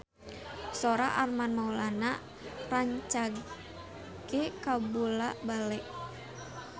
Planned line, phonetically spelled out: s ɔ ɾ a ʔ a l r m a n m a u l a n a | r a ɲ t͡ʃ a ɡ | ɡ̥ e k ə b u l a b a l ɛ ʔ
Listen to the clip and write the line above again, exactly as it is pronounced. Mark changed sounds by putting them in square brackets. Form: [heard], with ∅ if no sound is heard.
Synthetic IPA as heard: s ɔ ɾ a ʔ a [∅] r m a n m a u l a n a | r a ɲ t͡ʃ a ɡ | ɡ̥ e k [a] b u l a b a l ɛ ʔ